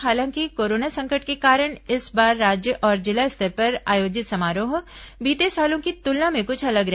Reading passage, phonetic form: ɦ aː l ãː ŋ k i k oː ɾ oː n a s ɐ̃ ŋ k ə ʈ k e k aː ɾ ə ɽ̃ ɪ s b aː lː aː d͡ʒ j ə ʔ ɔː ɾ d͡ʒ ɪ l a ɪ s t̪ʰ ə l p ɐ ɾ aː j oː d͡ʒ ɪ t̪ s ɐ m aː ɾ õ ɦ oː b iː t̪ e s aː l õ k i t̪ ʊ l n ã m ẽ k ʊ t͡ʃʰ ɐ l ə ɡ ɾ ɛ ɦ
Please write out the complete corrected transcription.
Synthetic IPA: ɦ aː l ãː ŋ k i k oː ɾ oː n a s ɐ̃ ŋ k ə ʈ k e k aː ɾ ə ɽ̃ ɪ s b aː ɾː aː d͡ʒ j ə ʔ ɔː ɾ d͡ʒ ɪ l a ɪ s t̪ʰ ə ɾ p ɐ ɾ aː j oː d͡ʒ ɪ t̪ s ɐ m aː ɾ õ ɦ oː b iː t̪ e s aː l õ k i t̪ ʊ l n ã m ẽ k ʊ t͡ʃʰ ɐ l ə ɡ ɾ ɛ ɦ